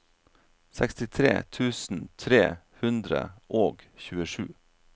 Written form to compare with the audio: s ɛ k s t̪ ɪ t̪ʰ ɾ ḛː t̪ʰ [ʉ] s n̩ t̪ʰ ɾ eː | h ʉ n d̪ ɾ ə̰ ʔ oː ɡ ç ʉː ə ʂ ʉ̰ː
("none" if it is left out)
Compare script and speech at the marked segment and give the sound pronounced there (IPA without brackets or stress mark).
ʉː